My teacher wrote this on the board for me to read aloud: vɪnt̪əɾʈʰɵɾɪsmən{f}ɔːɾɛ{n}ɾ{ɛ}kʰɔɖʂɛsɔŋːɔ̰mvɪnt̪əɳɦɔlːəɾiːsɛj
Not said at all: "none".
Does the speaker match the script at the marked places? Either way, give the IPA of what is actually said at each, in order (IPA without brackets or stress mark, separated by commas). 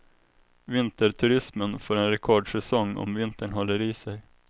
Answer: f, n, ɛ